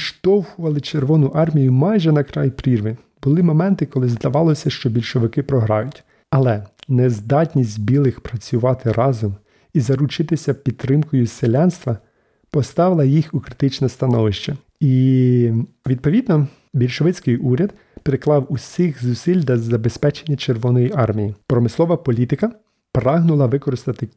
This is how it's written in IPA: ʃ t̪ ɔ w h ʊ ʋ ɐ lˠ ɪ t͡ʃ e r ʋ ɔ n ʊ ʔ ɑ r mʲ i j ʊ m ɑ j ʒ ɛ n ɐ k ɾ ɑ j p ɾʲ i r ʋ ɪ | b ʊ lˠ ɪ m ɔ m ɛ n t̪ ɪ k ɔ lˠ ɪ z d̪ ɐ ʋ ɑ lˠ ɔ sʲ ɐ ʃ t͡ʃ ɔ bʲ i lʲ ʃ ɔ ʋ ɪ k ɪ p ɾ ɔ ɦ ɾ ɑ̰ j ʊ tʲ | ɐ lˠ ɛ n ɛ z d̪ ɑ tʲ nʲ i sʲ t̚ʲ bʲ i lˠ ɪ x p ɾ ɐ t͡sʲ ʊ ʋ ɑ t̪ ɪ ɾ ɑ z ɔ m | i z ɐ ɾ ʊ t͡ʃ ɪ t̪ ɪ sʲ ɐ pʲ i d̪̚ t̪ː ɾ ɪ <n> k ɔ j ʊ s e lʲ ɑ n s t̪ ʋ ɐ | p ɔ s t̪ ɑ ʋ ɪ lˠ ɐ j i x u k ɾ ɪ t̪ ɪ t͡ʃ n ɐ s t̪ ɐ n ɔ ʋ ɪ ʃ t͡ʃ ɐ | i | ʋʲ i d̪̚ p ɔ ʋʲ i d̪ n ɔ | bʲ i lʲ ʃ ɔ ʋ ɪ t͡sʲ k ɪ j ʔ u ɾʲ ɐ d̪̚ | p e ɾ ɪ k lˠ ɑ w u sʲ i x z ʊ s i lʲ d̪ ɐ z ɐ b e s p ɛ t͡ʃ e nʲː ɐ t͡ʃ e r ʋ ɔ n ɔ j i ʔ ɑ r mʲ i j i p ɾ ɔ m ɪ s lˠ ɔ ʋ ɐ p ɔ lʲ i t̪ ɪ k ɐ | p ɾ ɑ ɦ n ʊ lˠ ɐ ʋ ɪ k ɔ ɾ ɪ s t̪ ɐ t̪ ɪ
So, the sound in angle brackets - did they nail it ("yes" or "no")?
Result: no